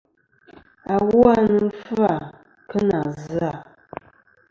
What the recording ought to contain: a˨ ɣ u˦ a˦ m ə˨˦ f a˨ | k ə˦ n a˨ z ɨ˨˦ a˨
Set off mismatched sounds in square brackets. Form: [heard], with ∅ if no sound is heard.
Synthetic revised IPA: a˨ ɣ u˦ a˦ [n] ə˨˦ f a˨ | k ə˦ n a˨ z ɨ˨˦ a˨